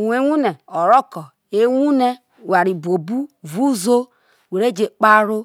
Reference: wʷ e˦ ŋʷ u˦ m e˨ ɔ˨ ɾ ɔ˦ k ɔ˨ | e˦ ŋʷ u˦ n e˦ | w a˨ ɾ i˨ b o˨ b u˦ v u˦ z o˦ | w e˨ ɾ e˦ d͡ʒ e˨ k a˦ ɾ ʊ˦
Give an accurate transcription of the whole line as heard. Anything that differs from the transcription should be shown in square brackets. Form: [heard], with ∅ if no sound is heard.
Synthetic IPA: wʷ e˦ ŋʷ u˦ [n] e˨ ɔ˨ ɾ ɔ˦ k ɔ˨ | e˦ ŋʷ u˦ n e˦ | w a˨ ɾ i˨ b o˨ b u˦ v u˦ z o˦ | w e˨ ɾ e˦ d͡ʒ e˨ [k͡p] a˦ ɾ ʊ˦